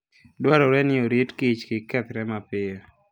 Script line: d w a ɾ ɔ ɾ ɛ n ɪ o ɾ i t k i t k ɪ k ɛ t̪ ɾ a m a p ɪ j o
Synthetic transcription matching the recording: d w a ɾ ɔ ɾ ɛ n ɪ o ɾ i t k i t͡ʃ k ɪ k ɛ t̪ ɾ ɛ m a p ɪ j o